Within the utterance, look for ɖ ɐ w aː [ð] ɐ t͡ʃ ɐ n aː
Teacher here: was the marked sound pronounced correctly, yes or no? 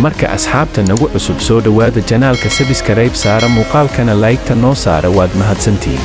yes